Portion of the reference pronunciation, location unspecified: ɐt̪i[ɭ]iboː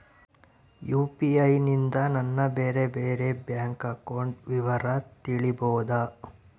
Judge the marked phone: correct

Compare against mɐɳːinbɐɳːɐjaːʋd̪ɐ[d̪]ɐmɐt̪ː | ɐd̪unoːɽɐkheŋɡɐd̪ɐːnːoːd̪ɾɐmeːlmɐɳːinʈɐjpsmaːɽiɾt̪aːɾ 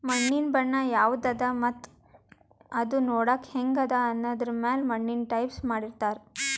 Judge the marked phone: correct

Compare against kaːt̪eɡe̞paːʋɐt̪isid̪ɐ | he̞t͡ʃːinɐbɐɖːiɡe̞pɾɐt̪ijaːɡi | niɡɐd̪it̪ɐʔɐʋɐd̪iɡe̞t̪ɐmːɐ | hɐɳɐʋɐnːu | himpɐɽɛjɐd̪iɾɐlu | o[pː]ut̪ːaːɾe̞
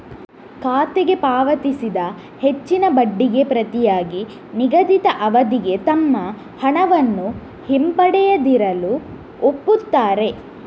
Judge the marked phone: correct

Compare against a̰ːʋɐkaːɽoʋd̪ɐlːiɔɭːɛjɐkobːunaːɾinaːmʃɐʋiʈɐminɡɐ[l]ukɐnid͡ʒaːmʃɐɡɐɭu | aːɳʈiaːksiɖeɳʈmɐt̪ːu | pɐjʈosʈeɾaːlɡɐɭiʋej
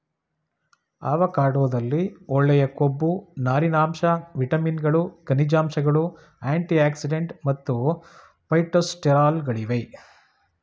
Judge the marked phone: incorrect: ɭ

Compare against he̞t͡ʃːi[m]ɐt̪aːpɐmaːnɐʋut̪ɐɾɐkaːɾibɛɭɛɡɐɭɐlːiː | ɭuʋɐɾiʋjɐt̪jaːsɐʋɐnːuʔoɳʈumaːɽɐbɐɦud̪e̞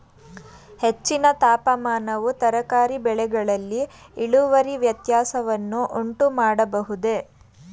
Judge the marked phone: incorrect: n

